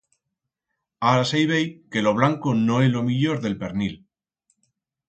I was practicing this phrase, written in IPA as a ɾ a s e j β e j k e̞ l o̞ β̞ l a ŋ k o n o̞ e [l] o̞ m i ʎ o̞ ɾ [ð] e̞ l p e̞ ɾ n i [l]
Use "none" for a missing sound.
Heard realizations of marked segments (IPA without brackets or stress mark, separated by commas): l, ð, l